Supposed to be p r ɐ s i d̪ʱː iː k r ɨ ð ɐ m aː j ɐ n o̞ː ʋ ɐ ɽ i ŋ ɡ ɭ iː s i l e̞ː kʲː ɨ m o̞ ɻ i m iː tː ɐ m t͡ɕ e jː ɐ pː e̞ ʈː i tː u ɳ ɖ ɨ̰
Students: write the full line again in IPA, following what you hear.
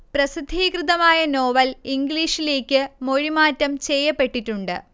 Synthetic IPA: p r ɐ s i d̪ʱː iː k r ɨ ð ɐ m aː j ɐ n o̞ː ʋ ɐ l i ŋ ɡ l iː ʂ i l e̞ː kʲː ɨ m o̞ ɻ i m aː tː ɐ m t͡ɕ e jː ɐ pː e̞ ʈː i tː u ɳ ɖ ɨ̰